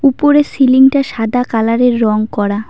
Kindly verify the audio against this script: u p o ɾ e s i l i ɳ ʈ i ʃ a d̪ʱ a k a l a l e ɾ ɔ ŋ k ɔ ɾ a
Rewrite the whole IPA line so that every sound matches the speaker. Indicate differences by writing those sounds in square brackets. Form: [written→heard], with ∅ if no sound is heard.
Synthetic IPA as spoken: u p o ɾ e s i l i [ɳ→ŋ] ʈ [i→a] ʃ a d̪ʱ a k a l a [l→ɾ] e [ɾ→ɾː] ɔ ŋ k ɔ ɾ a